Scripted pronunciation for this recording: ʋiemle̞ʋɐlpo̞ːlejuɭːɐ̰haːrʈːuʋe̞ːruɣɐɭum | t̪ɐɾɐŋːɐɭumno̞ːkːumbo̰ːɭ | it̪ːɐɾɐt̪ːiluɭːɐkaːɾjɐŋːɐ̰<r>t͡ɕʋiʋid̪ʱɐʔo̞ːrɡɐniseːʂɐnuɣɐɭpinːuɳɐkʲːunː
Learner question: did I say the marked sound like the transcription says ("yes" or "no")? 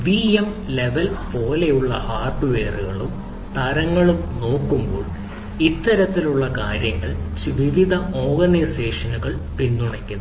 no